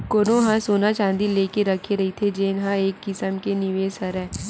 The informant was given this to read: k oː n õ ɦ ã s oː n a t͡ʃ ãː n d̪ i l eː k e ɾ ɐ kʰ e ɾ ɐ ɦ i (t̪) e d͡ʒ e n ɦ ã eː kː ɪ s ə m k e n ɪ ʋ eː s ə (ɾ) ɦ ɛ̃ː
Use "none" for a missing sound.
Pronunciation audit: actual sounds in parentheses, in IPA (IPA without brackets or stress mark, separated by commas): t̪ʰ, ɾ